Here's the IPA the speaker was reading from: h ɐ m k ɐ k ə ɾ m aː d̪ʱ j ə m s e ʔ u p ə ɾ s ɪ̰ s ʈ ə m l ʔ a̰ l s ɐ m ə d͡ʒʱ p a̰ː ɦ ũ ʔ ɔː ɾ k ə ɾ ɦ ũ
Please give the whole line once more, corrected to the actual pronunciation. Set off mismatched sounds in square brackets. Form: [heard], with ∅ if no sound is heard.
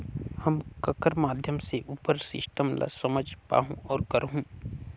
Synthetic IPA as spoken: h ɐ m k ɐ k ə ɾ m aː d̪ʱ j ə m s e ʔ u p ə ɾ s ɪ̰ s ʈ ə m l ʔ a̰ [∅] s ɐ m ə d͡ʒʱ p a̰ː ɦ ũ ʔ ɔː ɾ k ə ɾ ɦ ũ